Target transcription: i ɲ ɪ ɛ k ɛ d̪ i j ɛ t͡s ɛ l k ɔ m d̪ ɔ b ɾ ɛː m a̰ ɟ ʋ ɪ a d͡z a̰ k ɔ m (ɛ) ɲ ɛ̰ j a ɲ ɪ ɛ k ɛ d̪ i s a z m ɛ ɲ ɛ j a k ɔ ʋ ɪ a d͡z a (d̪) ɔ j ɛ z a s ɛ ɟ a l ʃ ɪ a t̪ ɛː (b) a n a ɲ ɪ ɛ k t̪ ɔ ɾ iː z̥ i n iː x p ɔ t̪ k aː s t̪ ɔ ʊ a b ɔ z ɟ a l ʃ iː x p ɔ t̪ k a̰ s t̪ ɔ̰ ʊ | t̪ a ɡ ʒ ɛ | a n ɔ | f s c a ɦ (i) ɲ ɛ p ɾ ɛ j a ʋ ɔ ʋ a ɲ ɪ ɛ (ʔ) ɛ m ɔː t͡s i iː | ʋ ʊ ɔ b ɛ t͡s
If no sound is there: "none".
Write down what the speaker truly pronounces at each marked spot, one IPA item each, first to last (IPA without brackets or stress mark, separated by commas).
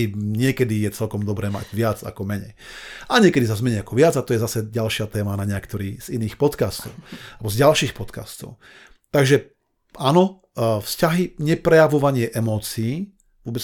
ɛ, t̪, m, i, ʔ